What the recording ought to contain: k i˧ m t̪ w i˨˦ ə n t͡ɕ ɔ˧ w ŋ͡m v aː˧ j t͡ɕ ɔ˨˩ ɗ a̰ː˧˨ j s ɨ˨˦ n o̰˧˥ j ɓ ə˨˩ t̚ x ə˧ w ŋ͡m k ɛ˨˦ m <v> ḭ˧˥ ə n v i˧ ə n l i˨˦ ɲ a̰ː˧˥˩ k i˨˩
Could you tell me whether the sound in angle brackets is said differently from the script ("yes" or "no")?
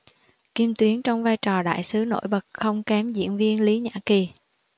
yes